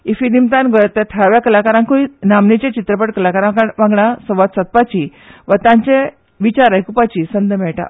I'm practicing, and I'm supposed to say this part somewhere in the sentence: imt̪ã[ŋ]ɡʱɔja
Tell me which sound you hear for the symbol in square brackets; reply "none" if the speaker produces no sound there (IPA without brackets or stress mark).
n